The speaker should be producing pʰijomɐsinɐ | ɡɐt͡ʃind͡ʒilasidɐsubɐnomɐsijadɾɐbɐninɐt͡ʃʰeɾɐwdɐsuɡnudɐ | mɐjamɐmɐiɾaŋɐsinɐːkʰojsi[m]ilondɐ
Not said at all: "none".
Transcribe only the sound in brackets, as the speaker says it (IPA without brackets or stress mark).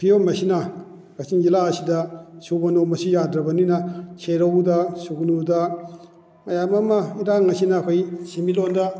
m